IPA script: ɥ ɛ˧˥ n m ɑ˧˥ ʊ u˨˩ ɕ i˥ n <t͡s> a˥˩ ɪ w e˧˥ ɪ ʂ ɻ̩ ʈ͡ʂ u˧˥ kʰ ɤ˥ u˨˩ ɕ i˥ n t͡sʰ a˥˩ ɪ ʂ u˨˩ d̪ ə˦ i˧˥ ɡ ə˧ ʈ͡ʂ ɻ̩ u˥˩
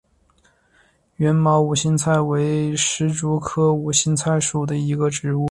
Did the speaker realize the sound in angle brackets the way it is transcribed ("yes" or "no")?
no